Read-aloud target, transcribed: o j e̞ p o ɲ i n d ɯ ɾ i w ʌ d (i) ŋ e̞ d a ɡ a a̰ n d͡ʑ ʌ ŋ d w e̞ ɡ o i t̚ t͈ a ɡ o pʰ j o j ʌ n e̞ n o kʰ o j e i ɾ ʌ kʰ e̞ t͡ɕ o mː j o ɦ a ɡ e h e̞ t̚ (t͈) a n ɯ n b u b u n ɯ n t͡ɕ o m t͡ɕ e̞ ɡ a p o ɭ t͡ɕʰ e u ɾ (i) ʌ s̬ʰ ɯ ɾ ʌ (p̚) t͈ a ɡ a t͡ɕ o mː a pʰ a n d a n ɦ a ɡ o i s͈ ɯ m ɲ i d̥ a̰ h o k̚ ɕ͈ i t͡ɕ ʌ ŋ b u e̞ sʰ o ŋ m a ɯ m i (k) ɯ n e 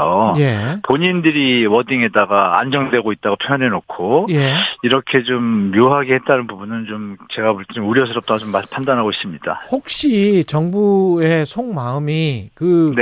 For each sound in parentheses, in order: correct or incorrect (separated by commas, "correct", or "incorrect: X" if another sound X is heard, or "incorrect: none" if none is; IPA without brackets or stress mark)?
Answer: correct, correct, incorrect: j, correct, correct